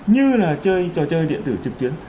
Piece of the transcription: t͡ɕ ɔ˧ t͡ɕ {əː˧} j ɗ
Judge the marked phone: correct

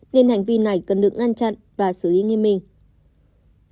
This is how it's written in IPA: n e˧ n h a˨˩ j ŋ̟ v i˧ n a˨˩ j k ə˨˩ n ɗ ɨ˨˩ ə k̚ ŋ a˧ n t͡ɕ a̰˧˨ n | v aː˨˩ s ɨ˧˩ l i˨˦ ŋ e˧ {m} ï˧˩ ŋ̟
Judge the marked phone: correct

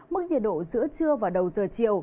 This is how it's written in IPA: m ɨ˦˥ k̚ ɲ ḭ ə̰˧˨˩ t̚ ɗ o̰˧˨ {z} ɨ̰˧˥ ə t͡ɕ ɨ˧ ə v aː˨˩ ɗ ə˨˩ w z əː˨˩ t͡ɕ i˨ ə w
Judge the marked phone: correct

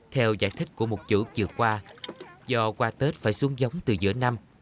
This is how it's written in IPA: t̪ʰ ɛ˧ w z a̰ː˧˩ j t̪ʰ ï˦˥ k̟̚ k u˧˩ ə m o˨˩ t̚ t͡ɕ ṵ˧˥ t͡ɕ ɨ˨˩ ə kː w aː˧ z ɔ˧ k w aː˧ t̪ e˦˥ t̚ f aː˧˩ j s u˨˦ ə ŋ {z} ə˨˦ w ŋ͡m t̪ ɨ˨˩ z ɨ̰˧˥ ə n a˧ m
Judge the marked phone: correct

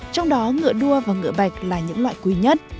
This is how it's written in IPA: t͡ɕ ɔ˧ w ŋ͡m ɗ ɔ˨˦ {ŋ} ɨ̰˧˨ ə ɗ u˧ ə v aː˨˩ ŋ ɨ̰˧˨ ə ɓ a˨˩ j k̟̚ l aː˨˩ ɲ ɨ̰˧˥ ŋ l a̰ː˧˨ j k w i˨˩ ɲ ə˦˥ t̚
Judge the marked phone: correct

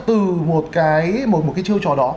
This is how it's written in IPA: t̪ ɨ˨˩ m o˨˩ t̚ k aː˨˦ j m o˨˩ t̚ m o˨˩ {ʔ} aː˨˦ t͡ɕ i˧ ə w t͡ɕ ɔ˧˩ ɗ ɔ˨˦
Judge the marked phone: incorrect: k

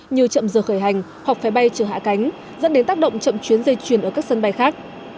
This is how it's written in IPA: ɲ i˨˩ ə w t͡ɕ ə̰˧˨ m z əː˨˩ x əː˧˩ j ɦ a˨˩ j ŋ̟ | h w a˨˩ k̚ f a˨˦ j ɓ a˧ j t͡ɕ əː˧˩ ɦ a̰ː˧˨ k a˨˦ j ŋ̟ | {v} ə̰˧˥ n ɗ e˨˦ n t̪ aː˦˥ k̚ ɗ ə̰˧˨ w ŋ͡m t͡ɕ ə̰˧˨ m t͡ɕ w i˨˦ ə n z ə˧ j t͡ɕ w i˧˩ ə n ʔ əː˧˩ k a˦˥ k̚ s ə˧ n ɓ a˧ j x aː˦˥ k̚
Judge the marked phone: incorrect: z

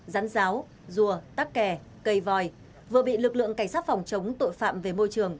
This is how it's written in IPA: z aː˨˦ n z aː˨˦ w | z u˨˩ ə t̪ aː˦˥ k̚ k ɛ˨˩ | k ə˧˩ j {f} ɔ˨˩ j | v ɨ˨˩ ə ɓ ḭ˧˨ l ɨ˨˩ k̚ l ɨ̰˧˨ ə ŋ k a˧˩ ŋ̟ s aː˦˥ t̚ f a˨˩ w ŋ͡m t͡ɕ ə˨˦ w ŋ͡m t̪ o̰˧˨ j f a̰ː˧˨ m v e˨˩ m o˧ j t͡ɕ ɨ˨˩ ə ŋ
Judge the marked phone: incorrect: v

